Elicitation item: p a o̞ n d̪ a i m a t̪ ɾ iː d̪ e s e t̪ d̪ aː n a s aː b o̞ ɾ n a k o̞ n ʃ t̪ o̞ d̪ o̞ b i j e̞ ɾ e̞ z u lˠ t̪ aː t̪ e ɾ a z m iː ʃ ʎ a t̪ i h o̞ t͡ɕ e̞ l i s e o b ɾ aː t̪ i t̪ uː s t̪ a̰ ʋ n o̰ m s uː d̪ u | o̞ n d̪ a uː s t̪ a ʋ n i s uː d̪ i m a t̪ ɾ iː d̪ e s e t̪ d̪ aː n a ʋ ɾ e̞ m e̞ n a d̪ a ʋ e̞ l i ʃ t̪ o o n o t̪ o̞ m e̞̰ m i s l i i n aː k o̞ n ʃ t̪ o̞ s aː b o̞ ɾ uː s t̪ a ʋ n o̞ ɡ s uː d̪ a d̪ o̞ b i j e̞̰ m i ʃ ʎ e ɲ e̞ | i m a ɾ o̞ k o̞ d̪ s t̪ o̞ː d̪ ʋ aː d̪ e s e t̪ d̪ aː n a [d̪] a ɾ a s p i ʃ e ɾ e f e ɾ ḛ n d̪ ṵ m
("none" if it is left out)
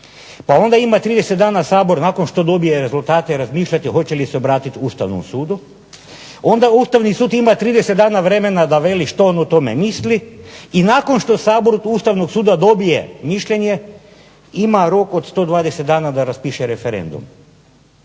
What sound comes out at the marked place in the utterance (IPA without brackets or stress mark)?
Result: d̪